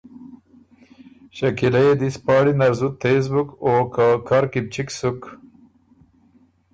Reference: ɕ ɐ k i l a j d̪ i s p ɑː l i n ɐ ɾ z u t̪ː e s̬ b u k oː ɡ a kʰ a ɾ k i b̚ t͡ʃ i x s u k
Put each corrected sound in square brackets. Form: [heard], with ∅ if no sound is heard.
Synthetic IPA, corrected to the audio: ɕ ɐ k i l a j d̪ i s p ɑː [ɽ] i n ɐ ɾ z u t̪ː e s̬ b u k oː [k] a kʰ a ɾ k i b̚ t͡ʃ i [k] s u k